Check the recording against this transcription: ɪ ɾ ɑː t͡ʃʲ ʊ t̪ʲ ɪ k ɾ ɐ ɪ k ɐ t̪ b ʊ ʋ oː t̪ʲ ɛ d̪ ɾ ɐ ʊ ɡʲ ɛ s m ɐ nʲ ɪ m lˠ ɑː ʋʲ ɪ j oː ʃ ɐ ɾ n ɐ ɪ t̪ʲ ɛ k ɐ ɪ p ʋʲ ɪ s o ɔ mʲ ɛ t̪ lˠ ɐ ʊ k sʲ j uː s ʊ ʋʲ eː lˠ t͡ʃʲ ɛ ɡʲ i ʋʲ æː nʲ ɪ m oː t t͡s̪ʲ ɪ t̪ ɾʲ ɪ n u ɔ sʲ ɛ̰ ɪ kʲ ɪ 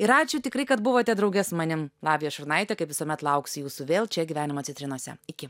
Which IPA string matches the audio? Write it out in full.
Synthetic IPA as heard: ɪ ɾ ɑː t͡ʃʲ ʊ t̪ʲ ɪ k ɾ ɐ ɪ k ɐ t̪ b ʊ ʋ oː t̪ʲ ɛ d̪ ɾ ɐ ʊ ɡʲ ɛ s m ɐ nʲ ɪ m lˠ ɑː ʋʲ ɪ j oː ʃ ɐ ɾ n ɐ ɪ t̪ʲ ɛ k ɐ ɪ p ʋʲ ɪ s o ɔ mʲ ɛ t̪ lˠ ɐ ʊ k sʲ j uː s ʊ ʋʲ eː lˠ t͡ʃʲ ɛ ɡʲ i ʋʲ æː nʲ ɪ m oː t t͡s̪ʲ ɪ t̪ ɾʲ ɪ n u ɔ sʲ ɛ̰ ɪ kʲ ɪ